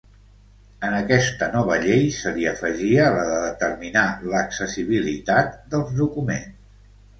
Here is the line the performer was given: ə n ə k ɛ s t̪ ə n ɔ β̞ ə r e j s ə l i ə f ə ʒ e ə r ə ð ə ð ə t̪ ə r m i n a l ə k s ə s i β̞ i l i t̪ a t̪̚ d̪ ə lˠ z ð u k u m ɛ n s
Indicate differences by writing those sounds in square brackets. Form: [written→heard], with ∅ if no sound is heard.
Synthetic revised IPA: ə n ə k ɛ s t̪ ə n ɔ β̞ ə [r→ʎ] e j s ə l i ə f ə ʒ [e→i] ə [r→l] ə ð ə ð ə t̪ ə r m i n a l ə k s ə s i β̞ i l i t̪ a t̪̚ d̪ ə lˠ z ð u k u m [ɛ→e] n s